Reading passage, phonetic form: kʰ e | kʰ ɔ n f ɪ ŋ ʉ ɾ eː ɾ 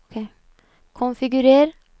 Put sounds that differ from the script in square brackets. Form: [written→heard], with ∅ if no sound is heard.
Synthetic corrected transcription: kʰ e | kʰ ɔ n f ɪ [ŋ→ɡ] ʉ ɾ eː ɾ